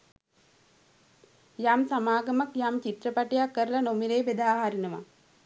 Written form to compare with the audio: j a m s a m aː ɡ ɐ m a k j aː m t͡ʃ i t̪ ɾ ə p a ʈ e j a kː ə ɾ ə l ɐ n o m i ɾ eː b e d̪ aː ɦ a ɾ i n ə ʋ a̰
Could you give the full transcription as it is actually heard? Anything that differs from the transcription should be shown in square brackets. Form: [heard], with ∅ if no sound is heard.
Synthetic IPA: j a m s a m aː ɡ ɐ m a k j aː m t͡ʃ i t̪ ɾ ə p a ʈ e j a kː ə ɾ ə l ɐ n o m i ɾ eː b e d̪ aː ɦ a ɾ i n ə ʋ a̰